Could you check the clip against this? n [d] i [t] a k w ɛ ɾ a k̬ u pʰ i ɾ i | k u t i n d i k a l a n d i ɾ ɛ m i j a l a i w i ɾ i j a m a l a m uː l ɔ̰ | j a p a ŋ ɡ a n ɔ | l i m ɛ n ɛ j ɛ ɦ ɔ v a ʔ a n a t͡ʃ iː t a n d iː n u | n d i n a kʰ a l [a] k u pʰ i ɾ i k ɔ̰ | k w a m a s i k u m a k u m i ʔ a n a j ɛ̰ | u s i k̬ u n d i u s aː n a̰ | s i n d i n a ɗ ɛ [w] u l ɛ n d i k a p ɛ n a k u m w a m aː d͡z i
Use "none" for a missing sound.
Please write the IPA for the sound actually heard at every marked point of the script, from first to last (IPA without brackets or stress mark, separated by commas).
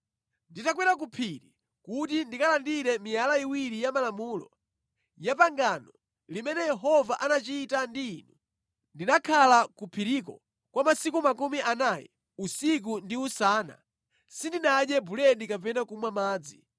d, t, a, b